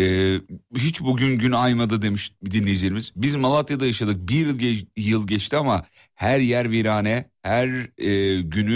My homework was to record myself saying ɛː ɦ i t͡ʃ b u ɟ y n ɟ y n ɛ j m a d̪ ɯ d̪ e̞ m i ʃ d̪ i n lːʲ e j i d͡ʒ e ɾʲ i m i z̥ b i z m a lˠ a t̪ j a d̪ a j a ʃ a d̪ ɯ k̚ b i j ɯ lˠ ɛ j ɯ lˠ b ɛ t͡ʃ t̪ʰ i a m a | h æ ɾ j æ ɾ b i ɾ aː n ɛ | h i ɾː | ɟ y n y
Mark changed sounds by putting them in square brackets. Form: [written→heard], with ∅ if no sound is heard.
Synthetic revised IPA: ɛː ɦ i t͡ʃ b u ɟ y n ɟ y n [ɛ→a] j m a d̪ ɯ d̪ e̞ m i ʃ d̪ i n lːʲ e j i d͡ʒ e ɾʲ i m i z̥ b i z m a lˠ a t̪ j a d̪ a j a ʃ a d̪ ɯ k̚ b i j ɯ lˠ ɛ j ɯ lˠ [b→ɟ] ɛ t͡ʃ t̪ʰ i a m a | h æ ɾ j æ ɾ [b→v] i ɾ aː n ɛ | h [i→æ] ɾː | ɟ y n y